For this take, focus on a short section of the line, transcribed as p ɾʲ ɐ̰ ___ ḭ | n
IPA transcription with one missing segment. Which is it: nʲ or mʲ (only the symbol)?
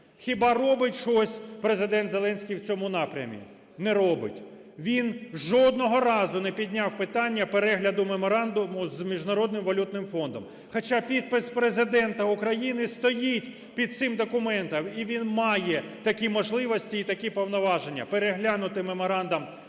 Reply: mʲ